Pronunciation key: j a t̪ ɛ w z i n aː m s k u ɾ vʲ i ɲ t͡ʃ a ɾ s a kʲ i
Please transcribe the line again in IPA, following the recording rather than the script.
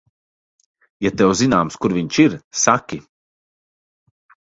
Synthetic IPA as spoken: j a t̪ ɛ w z i n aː m s k u ɾ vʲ i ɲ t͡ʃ i ɾ s a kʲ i